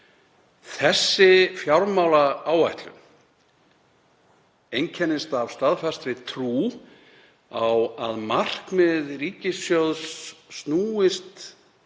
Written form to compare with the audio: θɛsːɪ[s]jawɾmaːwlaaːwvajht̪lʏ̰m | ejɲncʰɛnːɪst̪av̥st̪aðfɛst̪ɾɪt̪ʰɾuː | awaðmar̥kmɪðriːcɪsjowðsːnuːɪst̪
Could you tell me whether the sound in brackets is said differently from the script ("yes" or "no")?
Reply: yes